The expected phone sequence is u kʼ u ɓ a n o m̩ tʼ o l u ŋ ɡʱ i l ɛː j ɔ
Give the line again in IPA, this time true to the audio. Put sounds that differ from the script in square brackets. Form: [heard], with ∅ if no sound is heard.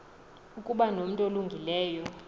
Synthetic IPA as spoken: u kʼ u ɓ a n o m̩ tʼ o l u ŋ ɡʱ i l ɛː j ɔ